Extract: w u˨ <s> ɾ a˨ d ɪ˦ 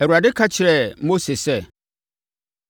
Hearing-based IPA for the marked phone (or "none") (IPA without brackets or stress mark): none